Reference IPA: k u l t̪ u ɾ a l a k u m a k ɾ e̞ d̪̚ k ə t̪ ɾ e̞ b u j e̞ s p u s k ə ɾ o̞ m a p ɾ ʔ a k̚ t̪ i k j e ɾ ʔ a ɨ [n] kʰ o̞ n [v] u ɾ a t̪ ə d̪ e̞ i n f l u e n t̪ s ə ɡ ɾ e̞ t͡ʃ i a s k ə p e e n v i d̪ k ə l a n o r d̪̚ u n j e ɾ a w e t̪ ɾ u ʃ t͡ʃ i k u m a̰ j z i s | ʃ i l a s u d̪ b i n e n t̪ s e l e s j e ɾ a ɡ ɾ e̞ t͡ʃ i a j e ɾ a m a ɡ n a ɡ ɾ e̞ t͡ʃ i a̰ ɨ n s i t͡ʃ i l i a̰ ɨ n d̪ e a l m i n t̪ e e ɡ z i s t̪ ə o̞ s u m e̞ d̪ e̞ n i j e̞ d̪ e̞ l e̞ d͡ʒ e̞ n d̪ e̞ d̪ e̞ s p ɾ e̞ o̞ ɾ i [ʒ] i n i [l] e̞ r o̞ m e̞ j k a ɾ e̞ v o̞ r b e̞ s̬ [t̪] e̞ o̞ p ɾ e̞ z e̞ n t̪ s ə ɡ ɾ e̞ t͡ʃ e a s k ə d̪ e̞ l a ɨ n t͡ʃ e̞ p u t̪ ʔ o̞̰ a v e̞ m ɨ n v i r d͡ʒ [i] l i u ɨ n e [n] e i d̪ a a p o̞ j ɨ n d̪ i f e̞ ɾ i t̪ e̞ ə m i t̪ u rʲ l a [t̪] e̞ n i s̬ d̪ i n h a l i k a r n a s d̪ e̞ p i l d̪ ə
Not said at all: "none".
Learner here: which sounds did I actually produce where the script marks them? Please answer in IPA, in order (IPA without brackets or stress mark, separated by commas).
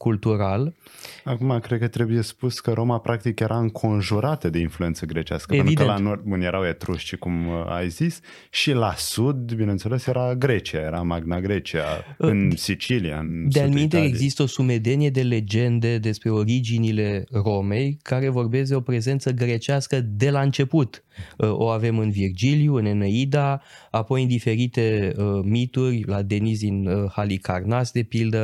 ŋ, ʒ, d͡ʒ, l, d̪, i, n, d̪